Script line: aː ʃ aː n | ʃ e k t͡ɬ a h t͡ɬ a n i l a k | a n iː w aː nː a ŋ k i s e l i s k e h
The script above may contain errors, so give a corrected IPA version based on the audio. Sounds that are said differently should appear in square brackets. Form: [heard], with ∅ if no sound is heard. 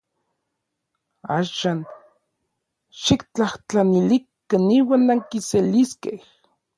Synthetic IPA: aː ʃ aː n | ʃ [i] k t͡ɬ a h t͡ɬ a n i l [i] k | a n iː w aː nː a ŋ k i s e l i s k e h